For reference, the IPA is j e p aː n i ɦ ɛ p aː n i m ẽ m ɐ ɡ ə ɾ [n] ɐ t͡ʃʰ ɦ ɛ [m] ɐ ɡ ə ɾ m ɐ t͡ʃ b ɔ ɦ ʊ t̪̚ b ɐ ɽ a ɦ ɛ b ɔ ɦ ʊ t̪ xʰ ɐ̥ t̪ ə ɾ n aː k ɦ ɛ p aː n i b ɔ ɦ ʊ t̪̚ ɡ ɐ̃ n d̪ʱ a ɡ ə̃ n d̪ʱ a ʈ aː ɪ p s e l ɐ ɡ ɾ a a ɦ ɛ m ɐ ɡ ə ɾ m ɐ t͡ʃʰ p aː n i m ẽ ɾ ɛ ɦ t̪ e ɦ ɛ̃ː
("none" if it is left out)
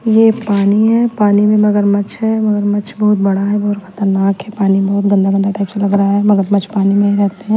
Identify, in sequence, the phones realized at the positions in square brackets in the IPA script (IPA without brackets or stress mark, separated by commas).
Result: m, m